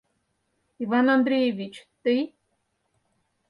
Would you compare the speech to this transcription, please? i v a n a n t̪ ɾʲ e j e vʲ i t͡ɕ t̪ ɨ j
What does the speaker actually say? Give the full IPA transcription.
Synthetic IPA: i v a n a n d̪ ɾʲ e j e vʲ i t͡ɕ t̪ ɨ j